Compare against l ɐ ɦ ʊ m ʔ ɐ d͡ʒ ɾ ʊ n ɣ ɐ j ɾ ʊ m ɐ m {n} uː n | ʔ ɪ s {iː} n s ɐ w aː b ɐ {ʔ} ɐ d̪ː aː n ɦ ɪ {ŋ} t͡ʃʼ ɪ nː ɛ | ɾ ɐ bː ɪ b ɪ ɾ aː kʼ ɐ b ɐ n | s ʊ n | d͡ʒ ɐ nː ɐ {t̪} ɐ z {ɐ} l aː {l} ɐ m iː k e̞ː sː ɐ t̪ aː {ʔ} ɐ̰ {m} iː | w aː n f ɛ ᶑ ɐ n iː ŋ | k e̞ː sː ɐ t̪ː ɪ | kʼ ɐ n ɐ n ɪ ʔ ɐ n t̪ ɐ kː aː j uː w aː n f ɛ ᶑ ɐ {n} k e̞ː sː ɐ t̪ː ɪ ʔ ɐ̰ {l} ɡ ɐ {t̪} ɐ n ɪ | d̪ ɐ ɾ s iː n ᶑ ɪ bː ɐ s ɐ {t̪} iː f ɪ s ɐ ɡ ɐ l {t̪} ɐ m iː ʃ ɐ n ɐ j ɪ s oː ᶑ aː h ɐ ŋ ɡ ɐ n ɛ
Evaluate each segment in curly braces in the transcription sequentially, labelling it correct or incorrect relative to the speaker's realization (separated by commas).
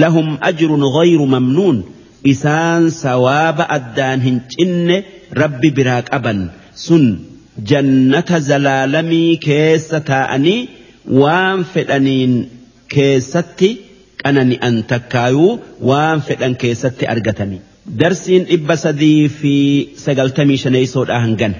correct, incorrect, correct, incorrect, correct, correct, correct, correct, incorrect, incorrect, incorrect, correct, incorrect, correct